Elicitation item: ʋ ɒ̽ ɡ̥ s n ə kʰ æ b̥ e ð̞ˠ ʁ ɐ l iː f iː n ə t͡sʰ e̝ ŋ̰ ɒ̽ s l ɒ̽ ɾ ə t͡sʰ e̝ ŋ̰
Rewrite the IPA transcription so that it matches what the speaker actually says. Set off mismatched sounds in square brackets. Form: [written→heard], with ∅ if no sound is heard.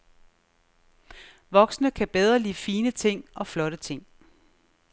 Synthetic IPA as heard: ʋ ɒ̽ ɡ̥ s n ə kʰ æ b̥ e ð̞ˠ ʁ ɐ l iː f iː n ə t͡sʰ e̝ ŋ̰ ɒ̽ [s→f] l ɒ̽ ɾ ə t͡sʰ e̝ ŋ̰